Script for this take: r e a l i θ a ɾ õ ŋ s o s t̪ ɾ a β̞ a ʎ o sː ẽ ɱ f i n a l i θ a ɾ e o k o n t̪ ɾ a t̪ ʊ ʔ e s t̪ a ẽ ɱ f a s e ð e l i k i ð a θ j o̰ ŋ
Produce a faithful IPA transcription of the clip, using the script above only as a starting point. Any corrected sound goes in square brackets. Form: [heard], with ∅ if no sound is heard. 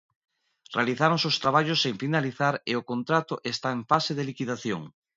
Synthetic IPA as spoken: r e a l i θ a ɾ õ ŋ s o s t̪ ɾ a β̞ a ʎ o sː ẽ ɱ f i n a l i θ a ɾ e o k o n t̪ ɾ a t̪ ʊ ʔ e s t̪ a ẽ ɱ f a s e ð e l i k i ð a θ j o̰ ŋ